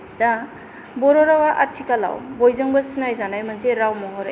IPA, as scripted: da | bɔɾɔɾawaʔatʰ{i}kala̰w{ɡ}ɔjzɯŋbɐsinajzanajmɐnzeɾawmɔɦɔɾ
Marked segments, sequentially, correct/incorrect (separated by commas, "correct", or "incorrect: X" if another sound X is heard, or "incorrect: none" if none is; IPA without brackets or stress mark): correct, incorrect: b